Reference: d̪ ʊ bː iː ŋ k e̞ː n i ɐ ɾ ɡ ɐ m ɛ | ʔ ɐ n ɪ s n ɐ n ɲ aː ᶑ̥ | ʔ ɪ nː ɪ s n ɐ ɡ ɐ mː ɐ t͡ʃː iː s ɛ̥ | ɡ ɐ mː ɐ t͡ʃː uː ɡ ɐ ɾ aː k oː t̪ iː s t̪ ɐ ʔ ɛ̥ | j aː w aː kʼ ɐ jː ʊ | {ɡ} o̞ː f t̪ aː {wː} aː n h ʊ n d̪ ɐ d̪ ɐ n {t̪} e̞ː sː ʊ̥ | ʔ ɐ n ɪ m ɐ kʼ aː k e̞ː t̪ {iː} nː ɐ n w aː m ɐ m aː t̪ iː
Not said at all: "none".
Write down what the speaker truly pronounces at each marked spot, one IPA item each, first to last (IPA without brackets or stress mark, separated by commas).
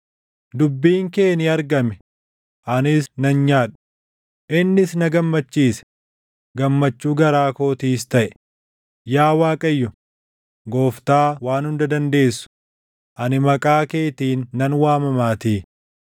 ɡ, w, d̪, iː